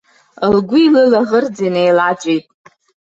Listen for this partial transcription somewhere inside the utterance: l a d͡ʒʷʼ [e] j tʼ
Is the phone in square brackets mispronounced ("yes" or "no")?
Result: no